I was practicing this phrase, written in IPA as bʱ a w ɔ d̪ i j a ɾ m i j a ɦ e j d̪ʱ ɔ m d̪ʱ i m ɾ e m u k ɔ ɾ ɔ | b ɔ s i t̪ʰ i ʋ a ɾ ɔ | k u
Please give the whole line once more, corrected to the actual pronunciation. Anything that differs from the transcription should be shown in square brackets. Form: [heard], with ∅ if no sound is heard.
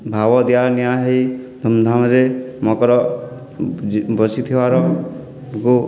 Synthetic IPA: bʱ a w ɔ d̪ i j a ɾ [n] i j a ɦ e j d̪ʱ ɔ m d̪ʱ [a] m ɾ e m [ɔ] k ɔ ɾ ɔ | b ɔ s i t̪ʰ i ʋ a ɾ ɔ | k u